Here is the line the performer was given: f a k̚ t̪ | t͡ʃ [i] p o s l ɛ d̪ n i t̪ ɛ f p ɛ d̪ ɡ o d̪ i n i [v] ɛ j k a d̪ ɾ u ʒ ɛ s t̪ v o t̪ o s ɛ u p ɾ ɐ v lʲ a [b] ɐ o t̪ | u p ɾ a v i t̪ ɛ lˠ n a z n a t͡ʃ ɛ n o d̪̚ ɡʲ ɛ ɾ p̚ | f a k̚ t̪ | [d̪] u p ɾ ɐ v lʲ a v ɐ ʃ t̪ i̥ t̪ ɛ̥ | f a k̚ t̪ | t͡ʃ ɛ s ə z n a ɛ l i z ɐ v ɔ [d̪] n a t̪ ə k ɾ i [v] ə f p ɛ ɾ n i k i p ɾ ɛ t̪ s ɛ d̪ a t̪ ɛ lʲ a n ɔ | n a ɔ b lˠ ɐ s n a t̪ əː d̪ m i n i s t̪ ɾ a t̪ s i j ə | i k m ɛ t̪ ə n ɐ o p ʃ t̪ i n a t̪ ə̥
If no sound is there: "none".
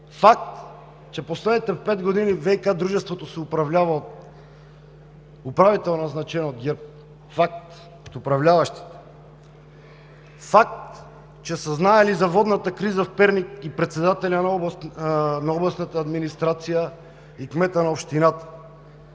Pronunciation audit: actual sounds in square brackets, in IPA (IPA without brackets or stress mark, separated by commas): ɛ, v, v, t̪, d̪, z